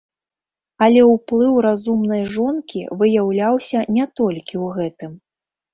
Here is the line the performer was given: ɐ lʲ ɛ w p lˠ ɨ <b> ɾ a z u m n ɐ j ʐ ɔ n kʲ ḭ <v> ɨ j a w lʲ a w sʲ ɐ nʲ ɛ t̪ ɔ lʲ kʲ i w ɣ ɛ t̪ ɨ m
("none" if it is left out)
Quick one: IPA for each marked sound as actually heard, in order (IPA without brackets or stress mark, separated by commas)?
w, v